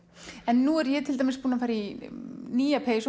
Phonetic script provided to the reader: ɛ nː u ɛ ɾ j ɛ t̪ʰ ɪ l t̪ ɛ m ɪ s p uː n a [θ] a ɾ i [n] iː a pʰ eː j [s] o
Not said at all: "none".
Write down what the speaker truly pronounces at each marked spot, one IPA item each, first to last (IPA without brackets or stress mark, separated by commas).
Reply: f, n, s